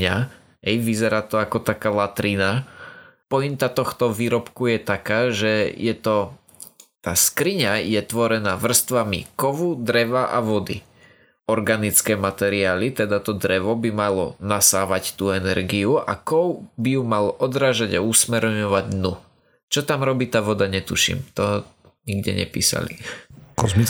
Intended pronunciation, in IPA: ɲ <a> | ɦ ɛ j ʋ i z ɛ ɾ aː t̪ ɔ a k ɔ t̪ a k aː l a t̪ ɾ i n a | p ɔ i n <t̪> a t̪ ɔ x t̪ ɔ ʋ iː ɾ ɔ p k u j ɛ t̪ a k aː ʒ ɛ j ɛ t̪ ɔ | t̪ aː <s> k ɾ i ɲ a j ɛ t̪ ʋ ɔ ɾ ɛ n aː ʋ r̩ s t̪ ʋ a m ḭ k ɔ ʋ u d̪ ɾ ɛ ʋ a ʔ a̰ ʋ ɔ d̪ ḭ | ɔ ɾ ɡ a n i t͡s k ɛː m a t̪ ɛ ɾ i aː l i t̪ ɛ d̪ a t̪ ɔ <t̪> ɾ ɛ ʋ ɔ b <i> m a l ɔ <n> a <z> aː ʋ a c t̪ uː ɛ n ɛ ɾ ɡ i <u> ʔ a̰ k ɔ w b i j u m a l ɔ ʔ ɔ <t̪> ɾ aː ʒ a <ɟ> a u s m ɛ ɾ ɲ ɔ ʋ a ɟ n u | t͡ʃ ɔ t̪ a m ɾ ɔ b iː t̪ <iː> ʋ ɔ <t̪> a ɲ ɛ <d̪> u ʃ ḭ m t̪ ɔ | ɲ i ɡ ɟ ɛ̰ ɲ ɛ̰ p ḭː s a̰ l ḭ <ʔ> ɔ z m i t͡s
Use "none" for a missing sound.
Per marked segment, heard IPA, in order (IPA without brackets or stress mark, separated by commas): a, t̪, s, d̪, i, n, s, u, d̪, ɟ, aː, d̪, t̪, k